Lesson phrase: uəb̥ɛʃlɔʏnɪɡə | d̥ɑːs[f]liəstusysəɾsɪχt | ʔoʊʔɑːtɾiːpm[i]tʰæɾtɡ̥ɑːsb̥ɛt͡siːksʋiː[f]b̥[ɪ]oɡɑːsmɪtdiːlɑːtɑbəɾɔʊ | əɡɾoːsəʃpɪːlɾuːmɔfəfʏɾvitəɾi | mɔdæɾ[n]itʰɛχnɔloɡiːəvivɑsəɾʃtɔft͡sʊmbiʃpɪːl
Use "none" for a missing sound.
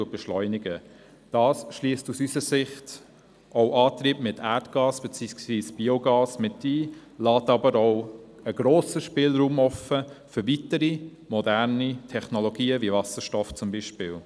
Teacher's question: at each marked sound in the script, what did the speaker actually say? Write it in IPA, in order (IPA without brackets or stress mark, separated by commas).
ʃ, ɪ, s, i, n